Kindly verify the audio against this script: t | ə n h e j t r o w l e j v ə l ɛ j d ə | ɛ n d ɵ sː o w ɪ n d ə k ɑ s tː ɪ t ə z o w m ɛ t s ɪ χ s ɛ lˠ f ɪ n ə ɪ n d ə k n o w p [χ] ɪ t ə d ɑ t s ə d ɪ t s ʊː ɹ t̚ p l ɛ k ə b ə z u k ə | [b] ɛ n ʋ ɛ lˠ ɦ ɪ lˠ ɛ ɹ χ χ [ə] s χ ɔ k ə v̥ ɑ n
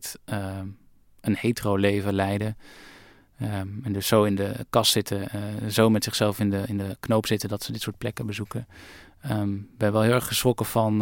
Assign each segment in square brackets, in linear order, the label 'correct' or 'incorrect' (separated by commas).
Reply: incorrect, correct, correct